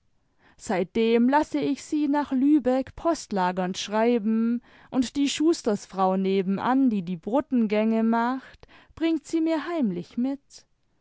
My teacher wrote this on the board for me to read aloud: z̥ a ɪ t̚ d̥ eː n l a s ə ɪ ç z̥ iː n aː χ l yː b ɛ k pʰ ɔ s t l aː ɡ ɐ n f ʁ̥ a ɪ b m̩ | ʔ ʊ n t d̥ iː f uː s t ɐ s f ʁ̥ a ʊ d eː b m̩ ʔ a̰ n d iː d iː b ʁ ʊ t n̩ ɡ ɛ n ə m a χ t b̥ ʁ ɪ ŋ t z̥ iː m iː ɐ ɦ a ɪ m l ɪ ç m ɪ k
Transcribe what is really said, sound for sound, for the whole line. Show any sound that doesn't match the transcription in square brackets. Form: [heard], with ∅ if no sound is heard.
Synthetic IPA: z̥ a ɪ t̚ d̥ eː [m] l a s ə ɪ ç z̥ iː n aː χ l yː b ɛ k pʰ ɔ s t l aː ɡ ɐ n [ʃ] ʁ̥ a ɪ b m̩ | ʔ ʊ n t d̥ iː [ʃ] uː s t ɐ s f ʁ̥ a ʊ [n] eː b m̩ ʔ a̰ n d iː d iː b ʁ ʊ t n̩ ɡ ɛ [ŋ] ə m a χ t b̥ ʁ ɪ ŋ t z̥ iː m iː ɐ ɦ a ɪ m l ɪ ç m ɪ [t]

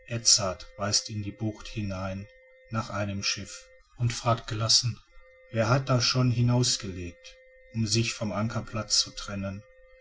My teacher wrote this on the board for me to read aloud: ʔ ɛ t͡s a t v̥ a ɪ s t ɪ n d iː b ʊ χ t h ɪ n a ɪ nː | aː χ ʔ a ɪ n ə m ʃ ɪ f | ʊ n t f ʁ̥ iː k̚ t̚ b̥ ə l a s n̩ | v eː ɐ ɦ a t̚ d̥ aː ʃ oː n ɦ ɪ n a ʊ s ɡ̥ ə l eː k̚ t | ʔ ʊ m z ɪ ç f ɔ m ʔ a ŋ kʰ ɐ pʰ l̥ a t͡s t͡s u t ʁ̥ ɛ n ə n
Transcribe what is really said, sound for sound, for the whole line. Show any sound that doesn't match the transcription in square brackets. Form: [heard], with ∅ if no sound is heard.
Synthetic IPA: ʔ ɛ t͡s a t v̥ a ɪ s t ɪ n d iː b ʊ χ t h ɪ n a ɪ nː | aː χ ʔ a ɪ n ə m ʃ ɪ f | ʊ n t f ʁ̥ [aː] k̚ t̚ [ɡ̥] ə l a s n̩ | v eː ɐ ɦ a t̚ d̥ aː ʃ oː n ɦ ɪ n a ʊ s ɡ̥ ə l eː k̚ t | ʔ ʊ m z ɪ ç f ɔ m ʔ a ŋ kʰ ɐ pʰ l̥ a t͡s t͡s u t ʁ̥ ɛ n ə n

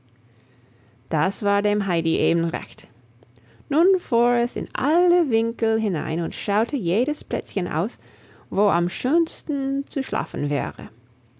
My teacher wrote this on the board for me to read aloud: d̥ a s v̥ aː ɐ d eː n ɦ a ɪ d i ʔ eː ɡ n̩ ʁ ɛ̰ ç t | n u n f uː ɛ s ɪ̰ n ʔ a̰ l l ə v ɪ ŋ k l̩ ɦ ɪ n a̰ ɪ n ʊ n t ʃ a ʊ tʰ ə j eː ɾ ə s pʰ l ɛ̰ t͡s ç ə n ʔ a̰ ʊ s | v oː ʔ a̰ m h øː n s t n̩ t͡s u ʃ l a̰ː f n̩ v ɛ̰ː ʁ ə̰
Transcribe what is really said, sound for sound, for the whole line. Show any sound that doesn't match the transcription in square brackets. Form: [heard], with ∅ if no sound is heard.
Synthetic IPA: d̥ a s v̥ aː ɐ d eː [m] ɦ a ɪ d i ʔ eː [b] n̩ ʁ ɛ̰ ç t | n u n f uː ɛ s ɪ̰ n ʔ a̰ l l ə v ɪ ŋ k l̩ ɦ ɪ n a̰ ɪ n ʊ n t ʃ a ʊ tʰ ə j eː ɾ ə s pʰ l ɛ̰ t͡s ç ə n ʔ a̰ ʊ s | v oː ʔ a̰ m [ʃ] øː n s t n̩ t͡s u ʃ l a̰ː f n̩ v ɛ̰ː ʁ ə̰

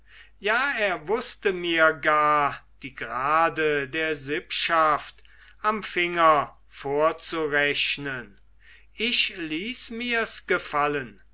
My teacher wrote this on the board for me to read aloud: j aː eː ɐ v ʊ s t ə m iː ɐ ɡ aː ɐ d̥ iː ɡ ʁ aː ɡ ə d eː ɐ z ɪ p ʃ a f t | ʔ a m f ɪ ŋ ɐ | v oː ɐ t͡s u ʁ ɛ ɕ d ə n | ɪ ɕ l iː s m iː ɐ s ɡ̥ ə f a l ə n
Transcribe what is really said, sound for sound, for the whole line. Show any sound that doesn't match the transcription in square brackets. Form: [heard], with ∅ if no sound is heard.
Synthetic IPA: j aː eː ɐ v ʊ s t ə m iː ɐ ɡ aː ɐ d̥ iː ɡ ʁ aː [d] ə d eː ɐ z ɪ p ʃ a f t | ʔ a m f ɪ ŋ ɐ | [f] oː ɐ t͡s u ʁ ɛ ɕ [n] ə n | ɪ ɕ l iː s m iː ɐ s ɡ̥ ə f a l ə n

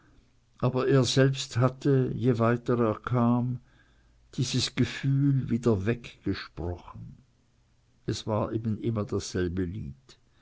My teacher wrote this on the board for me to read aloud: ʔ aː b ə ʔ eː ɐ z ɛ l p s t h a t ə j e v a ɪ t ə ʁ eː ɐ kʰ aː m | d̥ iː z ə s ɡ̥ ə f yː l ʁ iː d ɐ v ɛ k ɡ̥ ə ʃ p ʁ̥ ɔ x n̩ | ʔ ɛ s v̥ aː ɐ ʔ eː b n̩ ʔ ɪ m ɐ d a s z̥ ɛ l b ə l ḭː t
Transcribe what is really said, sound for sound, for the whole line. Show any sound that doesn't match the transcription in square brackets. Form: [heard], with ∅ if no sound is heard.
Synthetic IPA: ʔ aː b [ɐ] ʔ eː ɐ z ɛ l p s t h a t ə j e v a ɪ t ə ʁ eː ɐ kʰ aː m | d̥ iː z ə s ɡ̥ ə f yː l [v] iː d ɐ v ɛ k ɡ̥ ə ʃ p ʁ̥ ɔ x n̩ | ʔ ɛ s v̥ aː ɐ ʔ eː b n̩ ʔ ɪ m ɐ d a s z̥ ɛ l b ə l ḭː t

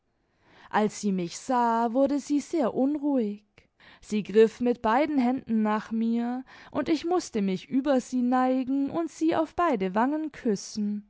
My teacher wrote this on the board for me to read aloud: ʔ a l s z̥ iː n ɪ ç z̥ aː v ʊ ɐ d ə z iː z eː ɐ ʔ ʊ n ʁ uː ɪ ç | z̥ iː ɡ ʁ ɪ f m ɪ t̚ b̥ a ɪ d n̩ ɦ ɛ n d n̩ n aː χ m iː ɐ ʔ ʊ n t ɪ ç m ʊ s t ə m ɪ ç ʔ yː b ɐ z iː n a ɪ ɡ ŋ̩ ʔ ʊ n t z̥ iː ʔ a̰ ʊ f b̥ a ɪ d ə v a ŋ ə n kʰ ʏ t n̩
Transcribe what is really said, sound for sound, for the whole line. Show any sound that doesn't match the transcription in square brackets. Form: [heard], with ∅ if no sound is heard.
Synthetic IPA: ʔ a l s z̥ iː [m] ɪ ç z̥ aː v ʊ ɐ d ə z iː z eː ɐ ʔ ʊ n ʁ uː ɪ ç | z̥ iː ɡ ʁ ɪ f m ɪ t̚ b̥ a ɪ d n̩ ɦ ɛ n d n̩ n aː χ m iː ɐ ʔ ʊ n t ɪ ç m ʊ s t ə m ɪ ç ʔ yː b ɐ z iː n a ɪ ɡ ŋ̩ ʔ ʊ n t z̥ iː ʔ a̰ ʊ f b̥ a ɪ d ə v a ŋ ə n kʰ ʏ [s] n̩

